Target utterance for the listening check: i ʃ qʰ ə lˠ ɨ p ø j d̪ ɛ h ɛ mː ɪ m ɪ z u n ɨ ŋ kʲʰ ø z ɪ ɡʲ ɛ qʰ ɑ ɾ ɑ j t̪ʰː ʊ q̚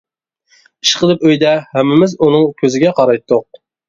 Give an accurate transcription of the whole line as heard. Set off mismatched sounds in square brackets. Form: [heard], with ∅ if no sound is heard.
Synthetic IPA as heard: i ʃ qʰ ə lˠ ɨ p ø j d̪ ɛ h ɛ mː ɪ m ɪ z u n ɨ ŋ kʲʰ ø z ɪ ɡʲ ɛ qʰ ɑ ɾ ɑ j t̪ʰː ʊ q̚